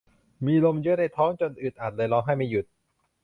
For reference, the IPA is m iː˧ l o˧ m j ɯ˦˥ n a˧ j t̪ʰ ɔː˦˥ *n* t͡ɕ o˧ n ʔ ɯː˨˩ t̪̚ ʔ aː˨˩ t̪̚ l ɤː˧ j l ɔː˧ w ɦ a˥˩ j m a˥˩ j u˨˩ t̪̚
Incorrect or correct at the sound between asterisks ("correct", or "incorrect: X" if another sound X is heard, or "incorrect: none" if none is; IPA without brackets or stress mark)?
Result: incorrect: ŋ